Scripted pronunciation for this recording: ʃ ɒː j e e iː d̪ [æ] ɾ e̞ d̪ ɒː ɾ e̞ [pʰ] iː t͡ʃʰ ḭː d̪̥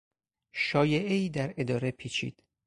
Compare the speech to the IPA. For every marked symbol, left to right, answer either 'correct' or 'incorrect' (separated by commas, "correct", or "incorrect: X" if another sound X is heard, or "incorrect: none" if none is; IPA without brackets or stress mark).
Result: correct, correct